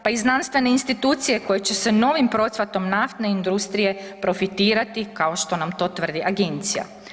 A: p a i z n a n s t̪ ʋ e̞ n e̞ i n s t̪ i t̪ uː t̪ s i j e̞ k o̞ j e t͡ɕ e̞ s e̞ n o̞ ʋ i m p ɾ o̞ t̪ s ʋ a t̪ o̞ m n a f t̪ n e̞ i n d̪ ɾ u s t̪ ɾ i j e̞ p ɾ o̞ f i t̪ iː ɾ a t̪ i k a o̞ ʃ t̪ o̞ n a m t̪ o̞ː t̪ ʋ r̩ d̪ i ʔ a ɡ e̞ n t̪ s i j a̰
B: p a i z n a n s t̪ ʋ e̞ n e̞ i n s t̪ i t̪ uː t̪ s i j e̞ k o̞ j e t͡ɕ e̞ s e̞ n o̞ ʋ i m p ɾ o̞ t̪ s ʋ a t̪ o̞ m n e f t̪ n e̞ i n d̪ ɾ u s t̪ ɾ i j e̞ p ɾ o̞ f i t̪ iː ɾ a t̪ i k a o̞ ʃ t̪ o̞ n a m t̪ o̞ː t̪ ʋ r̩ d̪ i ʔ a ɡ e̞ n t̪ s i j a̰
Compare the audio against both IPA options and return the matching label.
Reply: A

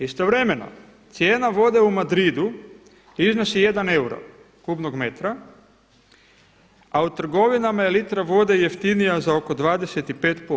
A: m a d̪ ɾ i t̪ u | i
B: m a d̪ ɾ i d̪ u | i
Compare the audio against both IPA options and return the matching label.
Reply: B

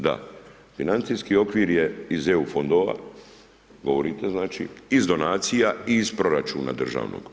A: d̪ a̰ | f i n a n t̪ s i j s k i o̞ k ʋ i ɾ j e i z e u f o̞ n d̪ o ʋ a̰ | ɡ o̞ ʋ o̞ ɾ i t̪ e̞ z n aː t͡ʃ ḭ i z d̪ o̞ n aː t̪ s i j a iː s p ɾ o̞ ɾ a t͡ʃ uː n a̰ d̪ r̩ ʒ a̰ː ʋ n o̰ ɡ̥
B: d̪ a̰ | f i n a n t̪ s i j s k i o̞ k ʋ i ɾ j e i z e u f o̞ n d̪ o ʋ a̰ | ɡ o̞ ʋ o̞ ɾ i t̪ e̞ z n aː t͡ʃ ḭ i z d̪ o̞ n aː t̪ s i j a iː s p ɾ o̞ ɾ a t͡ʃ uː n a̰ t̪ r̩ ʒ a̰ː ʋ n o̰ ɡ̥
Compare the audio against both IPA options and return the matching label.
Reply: A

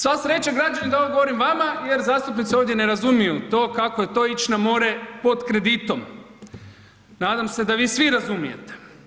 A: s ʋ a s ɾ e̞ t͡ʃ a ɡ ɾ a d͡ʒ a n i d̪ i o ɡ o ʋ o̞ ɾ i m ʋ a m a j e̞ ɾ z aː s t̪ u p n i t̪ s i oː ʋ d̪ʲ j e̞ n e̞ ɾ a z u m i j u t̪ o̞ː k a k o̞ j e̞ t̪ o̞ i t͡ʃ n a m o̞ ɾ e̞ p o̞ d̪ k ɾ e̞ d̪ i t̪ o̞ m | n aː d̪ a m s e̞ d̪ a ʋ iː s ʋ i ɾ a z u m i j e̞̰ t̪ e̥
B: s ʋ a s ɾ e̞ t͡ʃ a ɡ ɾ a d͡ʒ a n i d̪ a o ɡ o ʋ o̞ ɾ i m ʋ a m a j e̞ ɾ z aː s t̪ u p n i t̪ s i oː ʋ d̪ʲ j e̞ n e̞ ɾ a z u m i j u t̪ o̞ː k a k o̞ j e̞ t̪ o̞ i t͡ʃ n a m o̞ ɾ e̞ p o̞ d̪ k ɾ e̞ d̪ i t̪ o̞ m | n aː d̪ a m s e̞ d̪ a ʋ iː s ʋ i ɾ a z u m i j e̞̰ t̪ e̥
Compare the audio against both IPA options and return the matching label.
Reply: B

